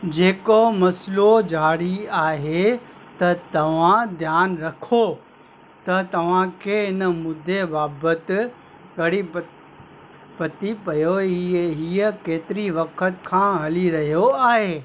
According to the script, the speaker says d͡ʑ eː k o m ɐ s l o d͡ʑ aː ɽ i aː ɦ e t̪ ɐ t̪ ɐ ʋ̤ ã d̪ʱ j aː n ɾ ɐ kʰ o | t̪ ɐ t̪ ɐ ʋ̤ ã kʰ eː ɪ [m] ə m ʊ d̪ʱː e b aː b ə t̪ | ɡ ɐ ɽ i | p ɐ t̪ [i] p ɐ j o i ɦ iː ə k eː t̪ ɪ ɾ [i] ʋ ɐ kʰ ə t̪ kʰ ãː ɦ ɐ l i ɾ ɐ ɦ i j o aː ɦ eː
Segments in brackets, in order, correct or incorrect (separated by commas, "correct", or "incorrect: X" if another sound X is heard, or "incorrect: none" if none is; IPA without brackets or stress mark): incorrect: n, correct, correct